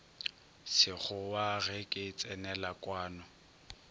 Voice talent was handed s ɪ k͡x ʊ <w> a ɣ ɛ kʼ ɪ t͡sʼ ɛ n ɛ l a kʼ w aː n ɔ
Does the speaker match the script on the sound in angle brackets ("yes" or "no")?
yes